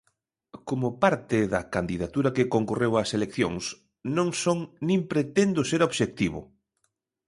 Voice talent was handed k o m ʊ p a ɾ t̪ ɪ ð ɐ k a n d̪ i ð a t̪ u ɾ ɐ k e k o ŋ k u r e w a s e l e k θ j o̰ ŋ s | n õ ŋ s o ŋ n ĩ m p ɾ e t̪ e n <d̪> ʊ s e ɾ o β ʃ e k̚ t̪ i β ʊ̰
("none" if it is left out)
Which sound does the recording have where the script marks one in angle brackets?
d̪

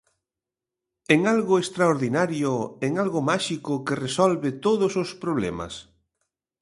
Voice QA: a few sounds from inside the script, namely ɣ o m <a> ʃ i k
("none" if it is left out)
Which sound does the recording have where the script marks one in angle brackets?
a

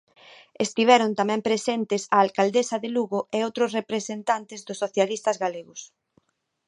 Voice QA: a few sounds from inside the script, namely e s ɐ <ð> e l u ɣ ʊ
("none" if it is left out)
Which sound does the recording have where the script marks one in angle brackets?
ð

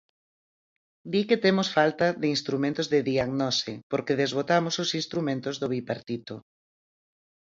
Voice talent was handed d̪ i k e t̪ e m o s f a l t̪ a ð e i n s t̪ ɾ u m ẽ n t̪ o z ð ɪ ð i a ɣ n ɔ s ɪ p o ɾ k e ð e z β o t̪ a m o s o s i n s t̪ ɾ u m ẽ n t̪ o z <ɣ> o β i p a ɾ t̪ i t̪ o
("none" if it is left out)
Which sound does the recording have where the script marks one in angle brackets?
ð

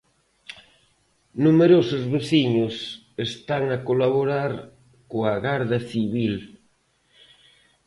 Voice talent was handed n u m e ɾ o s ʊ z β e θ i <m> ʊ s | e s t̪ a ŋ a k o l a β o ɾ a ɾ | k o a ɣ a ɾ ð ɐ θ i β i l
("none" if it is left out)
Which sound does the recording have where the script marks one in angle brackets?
ɲ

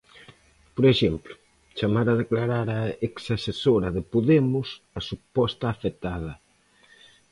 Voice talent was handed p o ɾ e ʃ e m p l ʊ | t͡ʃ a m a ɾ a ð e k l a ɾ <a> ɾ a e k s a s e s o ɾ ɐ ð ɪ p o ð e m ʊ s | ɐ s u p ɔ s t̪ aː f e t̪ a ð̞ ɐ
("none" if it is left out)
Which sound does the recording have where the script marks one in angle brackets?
a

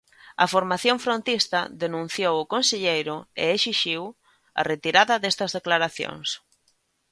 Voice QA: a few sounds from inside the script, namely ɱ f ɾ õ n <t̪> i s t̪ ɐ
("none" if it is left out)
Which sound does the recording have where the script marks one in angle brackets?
t̪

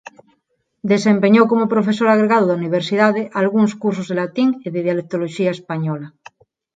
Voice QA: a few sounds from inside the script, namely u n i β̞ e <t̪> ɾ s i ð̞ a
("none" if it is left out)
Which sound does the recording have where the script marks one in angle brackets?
none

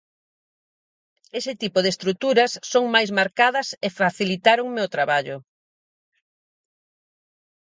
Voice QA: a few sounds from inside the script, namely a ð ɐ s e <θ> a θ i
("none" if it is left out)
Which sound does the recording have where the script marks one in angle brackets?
f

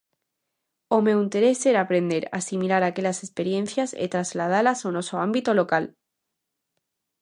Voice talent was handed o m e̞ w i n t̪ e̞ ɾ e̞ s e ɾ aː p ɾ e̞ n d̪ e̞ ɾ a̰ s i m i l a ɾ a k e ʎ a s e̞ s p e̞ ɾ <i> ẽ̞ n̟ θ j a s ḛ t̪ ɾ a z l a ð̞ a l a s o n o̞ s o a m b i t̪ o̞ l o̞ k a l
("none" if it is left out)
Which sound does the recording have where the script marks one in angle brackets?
j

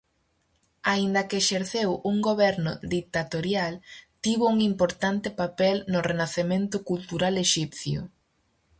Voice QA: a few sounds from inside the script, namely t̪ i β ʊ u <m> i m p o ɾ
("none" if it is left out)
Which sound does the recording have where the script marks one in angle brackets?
ŋ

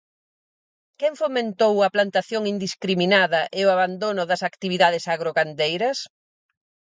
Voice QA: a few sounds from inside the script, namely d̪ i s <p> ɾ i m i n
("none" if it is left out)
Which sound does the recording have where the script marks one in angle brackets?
k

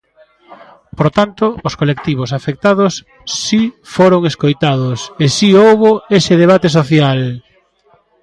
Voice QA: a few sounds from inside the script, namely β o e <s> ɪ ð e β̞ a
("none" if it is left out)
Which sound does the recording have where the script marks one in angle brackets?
s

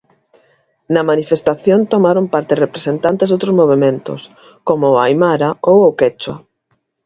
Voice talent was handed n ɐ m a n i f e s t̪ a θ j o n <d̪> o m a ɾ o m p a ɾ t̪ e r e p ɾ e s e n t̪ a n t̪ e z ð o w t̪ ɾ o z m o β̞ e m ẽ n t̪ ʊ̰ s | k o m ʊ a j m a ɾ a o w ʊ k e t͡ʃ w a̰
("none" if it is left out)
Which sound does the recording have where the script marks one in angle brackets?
t̪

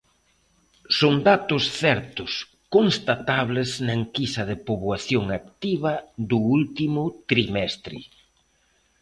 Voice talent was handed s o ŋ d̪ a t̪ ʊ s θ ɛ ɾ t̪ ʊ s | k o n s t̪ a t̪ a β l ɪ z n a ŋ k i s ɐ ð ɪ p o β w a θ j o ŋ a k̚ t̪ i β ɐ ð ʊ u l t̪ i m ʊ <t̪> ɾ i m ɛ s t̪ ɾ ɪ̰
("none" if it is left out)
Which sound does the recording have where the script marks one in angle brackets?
t̪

